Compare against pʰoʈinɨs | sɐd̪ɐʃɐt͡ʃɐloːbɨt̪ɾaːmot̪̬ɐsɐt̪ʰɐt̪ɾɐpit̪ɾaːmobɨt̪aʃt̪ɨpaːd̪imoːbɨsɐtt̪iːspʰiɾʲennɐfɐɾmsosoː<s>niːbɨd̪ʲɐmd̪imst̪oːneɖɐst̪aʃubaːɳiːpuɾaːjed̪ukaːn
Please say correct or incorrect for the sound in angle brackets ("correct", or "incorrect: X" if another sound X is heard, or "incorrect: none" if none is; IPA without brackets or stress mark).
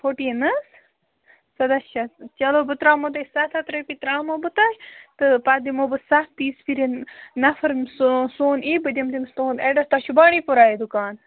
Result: incorrect: none